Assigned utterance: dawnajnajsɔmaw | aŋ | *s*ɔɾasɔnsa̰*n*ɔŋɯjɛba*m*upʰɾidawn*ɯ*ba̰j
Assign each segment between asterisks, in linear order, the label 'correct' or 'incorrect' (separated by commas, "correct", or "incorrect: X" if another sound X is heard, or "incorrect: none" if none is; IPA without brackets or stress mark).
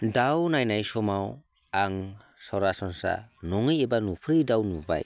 correct, correct, incorrect: n, incorrect: u